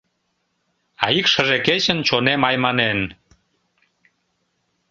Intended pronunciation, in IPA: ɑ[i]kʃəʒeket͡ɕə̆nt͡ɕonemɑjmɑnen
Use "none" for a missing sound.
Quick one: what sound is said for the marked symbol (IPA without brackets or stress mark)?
i